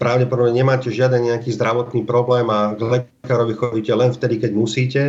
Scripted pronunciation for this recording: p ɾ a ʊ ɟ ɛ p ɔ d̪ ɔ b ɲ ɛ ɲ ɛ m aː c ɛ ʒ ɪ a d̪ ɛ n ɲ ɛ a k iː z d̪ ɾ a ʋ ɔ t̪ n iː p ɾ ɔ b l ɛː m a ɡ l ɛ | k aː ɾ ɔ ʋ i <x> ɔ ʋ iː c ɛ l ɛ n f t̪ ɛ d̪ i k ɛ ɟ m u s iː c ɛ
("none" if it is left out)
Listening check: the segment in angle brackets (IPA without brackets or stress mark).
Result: x